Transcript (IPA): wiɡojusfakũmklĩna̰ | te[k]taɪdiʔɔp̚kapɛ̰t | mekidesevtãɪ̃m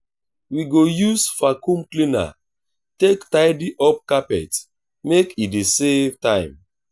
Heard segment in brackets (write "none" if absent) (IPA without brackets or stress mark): k